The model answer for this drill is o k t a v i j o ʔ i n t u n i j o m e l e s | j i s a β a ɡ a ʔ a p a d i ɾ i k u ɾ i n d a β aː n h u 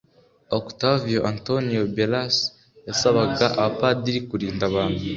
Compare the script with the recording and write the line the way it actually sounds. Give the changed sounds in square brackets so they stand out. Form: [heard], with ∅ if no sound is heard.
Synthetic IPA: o k t a v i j o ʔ [a] n t [o] n i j o [b] e l [a] s | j [a] s a β a ɡ a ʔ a p a d i ɾ i k u ɾ [iː] n d a β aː n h u

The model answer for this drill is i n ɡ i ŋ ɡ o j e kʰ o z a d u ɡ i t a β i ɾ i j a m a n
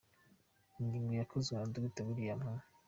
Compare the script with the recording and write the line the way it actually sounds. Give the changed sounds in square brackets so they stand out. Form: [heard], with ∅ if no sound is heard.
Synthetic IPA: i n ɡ i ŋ ɡ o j [a] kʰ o z a d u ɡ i t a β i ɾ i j a m a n

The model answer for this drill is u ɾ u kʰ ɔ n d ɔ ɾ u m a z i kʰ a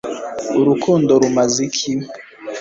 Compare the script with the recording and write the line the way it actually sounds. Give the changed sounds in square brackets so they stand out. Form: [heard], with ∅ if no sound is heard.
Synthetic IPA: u ɾ u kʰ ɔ n d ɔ ɾ u m a z i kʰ [i]

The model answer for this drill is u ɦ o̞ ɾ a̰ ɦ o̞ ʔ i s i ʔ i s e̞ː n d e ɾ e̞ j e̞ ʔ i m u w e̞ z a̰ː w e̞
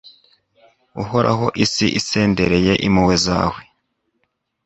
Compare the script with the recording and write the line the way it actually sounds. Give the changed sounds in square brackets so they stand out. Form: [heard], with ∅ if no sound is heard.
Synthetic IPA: u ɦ o̞ ɾ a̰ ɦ o̞ ʔ i s i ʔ i s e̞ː n d e ɾ e̞ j e̞ ʔ i m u w e̞ z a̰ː w e̞

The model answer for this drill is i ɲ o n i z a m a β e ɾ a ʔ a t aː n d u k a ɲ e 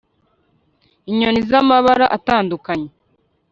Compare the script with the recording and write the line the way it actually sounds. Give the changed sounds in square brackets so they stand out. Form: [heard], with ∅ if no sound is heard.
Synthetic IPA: i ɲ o n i z a m a β [a] ɾ a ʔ a t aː n d u k a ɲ e

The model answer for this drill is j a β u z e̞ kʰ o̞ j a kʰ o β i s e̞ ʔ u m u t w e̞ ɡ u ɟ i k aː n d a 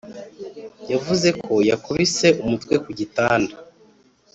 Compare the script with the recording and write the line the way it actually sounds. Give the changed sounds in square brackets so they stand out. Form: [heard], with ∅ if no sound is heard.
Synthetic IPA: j a [v] u z e̞ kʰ o̞ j a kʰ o β i s e̞ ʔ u m u t w e̞ [k] u ɟ i [t] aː n d a

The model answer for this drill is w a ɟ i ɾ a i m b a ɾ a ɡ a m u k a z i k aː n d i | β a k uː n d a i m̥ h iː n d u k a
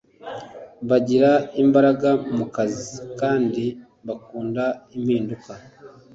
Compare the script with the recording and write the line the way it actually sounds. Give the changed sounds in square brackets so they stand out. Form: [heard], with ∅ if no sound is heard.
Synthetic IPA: [β] a ɟ i ɾ a i m b a ɾ a ɡ a m u k a z i k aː n d i | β a k uː n d a i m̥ h iː n d u k a

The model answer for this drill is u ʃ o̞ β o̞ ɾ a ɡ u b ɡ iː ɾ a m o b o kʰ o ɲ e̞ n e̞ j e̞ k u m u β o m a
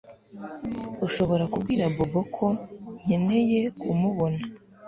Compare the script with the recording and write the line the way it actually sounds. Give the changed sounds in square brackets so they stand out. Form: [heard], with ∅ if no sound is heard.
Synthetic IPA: u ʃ o̞ β o̞ ɾ a [k] u b ɡ iː ɾ a [b] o b o kʰ o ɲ e̞ n e̞ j e̞ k u m u β o [n] a

